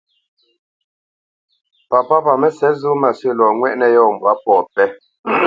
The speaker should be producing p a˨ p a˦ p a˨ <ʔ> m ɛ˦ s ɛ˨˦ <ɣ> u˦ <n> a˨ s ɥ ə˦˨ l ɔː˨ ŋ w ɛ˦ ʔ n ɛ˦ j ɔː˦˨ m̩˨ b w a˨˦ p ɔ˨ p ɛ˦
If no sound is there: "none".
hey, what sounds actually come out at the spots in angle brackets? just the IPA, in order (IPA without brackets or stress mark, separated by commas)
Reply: none, z, m